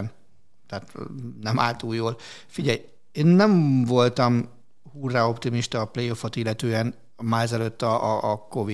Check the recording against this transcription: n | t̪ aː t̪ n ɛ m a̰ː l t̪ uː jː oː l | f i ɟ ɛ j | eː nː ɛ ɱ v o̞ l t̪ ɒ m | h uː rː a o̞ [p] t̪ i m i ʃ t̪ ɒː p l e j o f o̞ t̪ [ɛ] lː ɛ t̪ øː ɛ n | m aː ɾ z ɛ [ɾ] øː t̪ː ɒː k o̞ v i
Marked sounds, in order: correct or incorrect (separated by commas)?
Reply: correct, incorrect, incorrect